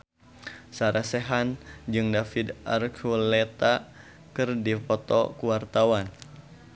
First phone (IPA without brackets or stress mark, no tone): s